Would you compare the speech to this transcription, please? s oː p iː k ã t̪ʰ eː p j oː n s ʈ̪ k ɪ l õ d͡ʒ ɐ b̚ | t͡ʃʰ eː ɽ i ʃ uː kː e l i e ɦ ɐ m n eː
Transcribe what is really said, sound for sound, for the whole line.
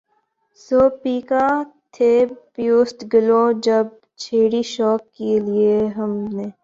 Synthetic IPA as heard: s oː p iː k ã t̪ʰ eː p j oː s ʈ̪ ɡ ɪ l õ d͡ʒ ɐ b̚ | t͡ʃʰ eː ɽ i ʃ ɔː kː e l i e ɦ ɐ m n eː